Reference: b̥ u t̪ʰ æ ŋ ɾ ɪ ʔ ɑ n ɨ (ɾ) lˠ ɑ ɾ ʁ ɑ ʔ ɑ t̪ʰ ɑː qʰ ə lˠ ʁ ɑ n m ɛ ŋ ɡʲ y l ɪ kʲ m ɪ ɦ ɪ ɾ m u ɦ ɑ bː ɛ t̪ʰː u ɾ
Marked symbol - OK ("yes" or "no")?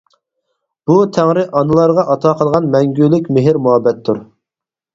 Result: no